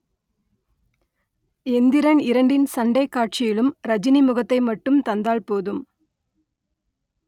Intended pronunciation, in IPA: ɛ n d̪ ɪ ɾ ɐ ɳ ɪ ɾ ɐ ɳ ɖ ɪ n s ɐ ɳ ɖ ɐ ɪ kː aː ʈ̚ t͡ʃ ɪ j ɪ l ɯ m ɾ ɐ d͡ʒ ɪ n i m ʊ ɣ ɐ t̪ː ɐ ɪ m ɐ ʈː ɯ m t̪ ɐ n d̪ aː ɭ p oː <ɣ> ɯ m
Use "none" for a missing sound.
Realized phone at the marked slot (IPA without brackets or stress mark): ð